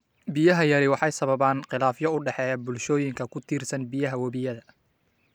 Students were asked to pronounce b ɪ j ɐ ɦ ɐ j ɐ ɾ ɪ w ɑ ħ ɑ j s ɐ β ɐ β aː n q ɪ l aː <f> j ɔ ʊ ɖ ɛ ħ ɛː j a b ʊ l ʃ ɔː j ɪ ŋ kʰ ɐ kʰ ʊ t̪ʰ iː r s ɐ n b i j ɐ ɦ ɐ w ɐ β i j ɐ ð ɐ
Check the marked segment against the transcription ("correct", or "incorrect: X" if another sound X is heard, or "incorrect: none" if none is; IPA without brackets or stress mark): correct